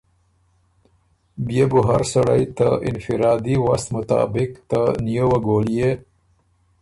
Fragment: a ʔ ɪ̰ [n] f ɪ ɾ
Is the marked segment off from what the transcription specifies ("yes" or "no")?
no